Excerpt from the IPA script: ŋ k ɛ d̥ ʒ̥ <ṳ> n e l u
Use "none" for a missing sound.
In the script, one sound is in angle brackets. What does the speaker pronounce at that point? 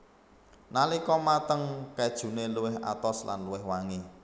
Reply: ṳ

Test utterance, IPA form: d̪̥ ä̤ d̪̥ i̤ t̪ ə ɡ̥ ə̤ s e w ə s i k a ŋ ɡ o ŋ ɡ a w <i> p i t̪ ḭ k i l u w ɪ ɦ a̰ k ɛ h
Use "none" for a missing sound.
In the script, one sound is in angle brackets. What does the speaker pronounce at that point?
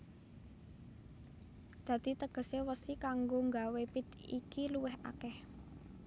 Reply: e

